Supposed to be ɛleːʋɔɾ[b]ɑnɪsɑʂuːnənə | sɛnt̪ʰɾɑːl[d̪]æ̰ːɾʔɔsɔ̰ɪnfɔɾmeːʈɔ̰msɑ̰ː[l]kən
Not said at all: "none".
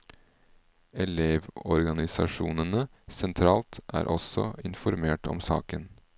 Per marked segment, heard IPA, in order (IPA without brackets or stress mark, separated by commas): ɡ, t̪, none